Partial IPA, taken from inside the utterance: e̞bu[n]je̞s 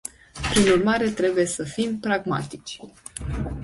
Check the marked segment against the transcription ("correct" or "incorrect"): incorrect